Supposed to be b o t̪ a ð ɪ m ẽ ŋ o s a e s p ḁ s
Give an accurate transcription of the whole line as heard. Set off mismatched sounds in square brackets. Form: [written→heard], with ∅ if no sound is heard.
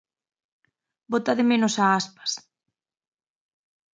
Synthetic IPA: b o t̪ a ð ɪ m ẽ [ŋ→n] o s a [e→a] s p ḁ s